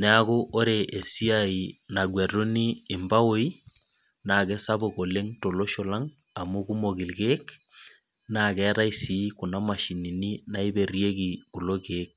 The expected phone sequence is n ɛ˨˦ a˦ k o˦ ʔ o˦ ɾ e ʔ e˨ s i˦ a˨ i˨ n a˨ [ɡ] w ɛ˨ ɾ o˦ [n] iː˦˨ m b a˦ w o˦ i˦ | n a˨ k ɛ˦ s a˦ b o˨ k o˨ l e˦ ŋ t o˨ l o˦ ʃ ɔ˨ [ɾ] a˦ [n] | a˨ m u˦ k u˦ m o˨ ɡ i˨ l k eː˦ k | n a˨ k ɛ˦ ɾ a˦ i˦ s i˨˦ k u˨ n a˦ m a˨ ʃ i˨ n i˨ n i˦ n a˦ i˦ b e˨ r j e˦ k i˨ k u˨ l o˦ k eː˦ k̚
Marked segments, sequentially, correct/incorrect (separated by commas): correct, correct, incorrect, incorrect